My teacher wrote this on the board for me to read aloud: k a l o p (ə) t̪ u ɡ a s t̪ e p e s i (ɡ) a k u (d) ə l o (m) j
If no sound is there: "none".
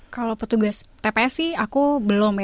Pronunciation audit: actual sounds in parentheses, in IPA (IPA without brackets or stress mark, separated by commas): ə, none, b, m